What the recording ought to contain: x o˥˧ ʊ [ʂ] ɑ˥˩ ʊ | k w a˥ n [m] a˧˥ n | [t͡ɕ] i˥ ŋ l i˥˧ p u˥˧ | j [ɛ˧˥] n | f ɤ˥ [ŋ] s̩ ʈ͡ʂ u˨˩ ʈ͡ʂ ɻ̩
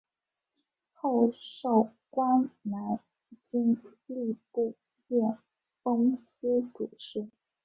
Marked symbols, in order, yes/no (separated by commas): yes, no, yes, no, yes